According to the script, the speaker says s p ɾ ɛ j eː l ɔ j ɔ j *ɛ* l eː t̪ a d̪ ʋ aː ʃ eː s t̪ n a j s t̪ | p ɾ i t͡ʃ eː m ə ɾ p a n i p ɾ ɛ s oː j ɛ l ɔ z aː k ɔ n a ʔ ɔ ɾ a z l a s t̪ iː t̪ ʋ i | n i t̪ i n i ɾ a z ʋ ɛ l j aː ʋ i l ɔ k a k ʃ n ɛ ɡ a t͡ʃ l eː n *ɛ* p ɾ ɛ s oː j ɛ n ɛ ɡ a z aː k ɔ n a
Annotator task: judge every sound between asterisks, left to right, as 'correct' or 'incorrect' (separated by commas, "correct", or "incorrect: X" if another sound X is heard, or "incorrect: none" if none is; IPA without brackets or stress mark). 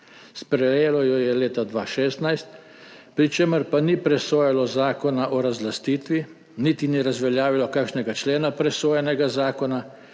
correct, incorrect: a